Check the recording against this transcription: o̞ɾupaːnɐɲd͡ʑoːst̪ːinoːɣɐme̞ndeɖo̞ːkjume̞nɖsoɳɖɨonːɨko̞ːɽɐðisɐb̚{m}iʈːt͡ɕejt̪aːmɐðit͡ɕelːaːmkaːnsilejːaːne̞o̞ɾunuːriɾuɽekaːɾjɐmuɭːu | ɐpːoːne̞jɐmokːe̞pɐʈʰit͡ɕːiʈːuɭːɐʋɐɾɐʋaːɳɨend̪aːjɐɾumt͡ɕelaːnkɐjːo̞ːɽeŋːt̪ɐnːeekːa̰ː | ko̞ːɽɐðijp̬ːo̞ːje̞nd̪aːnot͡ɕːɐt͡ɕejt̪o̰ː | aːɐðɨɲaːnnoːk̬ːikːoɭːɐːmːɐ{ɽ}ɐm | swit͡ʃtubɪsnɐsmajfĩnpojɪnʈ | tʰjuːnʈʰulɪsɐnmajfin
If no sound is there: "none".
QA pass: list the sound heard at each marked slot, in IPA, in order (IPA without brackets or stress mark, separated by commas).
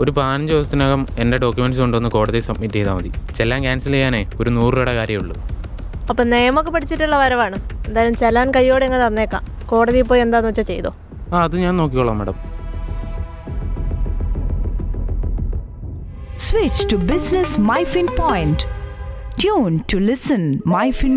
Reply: m, ɽ